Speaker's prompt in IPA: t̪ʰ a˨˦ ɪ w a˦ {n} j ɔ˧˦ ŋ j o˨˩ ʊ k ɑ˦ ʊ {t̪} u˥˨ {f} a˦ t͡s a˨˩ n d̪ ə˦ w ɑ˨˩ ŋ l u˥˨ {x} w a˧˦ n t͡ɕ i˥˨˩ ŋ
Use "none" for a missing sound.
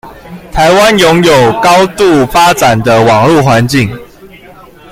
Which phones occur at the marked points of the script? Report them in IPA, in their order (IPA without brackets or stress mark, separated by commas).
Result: n, t̪, f, x